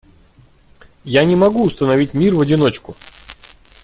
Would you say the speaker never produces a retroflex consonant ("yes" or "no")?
yes